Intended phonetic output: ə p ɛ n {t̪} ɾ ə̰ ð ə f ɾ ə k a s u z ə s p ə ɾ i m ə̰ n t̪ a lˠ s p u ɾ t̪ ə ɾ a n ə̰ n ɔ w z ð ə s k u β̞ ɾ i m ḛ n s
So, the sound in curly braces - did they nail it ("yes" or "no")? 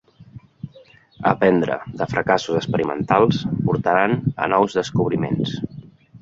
no